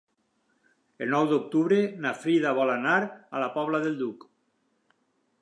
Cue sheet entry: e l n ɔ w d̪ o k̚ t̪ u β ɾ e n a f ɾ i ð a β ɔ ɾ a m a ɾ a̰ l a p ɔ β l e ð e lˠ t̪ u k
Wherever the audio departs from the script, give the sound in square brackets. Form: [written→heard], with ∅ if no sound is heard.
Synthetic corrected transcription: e l n ɔ w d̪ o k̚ t̪ u β ɾ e n a f ɾ i ð a β ɔ [ɾ→l] a [m→n] a ɾ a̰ l a p ɔ β l [e→a] ð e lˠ [t̪→d̪] u k

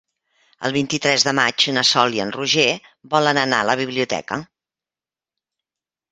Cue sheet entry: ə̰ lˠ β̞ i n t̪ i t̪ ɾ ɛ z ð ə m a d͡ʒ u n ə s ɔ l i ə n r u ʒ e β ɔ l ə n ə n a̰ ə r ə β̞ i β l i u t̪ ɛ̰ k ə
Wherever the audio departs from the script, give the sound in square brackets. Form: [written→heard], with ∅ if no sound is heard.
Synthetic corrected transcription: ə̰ lˠ β̞ i n t̪ i t̪ ɾ ɛ z ð ə m a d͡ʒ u n ə s ɔ l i ə n r u ʒ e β ɔ l ə n ə n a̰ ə [r→l] ə β̞ i β l i u t̪ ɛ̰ k ə

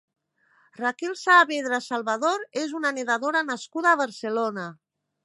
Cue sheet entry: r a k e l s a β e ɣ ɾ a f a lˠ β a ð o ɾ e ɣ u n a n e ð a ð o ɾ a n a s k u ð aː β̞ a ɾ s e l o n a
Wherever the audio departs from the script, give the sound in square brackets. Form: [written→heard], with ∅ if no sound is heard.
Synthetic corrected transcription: r a k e l s a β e [ɣ→ð] ɾ a [f→s] a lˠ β a ð o ɾ e [ɣ→z] u n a n e ð a ð o ɾ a n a s k u ð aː β̞ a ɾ s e l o n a

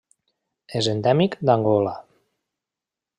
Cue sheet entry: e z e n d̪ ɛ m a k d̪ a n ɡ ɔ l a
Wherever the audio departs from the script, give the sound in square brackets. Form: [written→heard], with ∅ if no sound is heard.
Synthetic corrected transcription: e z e n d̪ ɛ m [a→i] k d̪ a [n→ŋ] ɡ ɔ l a

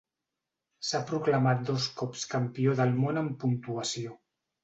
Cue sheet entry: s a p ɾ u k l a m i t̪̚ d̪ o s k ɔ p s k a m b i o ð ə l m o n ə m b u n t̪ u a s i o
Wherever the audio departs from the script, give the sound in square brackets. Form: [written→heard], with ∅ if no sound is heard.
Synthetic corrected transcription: s a p ɾ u k l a m [i→a] t̪̚ d̪ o s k ɔ p s k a m [b→p] i o ð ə l m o n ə m [b→p] u n t̪ u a s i o

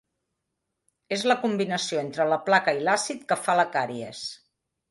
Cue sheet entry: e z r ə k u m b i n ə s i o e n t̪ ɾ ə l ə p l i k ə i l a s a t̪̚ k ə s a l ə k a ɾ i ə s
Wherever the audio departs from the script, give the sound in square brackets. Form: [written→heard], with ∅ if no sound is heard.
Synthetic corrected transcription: e z [r→l] ə k u m b i n ə s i o e n t̪ ɾ ə l ə p l [i→a] k ə i l a s [a→i] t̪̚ k ə [s→f] a l ə k a ɾ i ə s

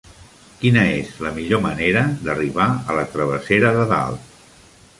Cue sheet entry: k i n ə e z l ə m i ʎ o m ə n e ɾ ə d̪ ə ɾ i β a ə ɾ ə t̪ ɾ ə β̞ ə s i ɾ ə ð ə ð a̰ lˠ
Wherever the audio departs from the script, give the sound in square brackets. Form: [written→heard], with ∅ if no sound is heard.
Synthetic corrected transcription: k i n ə e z l ə m i ʎ o m ə n e ɾ ə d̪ ə [ɾ→r] i β a ə [ɾ→l] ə t̪ ɾ ə β̞ ə s [i→e] ɾ ə ð ə ð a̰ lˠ

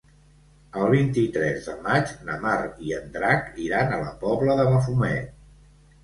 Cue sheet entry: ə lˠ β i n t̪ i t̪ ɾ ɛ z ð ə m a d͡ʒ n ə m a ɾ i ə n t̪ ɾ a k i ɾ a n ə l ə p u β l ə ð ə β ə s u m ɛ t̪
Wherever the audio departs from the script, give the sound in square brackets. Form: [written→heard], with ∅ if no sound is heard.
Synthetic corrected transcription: ə lˠ β i n t̪ i t̪ ɾ ɛ z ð ə m a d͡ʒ n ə m a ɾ i ə n [t̪→d̪] ɾ a k i ɾ a n ə l ə p [u→ɔ] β l ə ð ə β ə [s→f] u m ɛ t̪

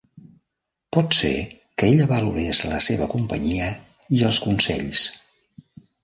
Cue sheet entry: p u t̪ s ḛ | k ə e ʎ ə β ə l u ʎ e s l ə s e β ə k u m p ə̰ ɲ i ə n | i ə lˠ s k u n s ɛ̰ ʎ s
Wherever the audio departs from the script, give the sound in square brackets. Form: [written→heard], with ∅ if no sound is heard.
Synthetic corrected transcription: p [u→ɔ] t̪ s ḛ | k ə e ʎ ə β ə l u [ʎ→ɾ] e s l ə s e β ə k u m p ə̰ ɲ i ə [n→∅] | i ə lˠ s k u n s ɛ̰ ʎ s

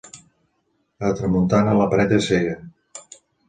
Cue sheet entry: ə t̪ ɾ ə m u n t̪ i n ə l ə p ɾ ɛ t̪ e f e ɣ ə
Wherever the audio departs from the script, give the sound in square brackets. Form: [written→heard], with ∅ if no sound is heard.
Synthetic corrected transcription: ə t̪ ɾ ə m u n t̪ [i→a] n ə l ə p ɾ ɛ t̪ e [f→s] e ɣ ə

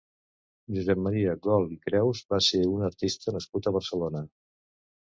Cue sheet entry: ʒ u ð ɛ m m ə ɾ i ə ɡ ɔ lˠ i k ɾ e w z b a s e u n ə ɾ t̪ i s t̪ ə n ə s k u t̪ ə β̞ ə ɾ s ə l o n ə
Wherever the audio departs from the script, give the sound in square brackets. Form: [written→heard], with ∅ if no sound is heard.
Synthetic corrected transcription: ʒ u [ð→z] ɛ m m ə ɾ i ə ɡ ɔ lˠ i k ɾ [e→ɛ] w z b a s e u n ə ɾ t̪ i s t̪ ə n ə s k u t̪ ə β̞ ə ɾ s ə l o n ə

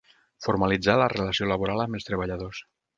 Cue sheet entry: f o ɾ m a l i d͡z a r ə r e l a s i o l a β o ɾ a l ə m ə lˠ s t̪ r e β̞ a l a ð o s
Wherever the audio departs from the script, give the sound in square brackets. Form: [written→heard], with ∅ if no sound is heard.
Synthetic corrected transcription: f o ɾ m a l i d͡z a [r→l] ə r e l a s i o l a β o ɾ a l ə m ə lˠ s t̪ [r→ɾ] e β̞ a [l→ʎ] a ð o s

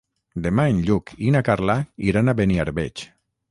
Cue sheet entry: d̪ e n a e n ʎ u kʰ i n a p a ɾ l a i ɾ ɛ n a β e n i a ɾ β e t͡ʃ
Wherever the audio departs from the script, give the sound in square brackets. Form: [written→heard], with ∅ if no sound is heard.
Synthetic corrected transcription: d̪ e [n→m] a e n ʎ u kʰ i n a [p→k] a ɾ l a i ɾ [ɛ→a] n a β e n i a ɾ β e t͡ʃ

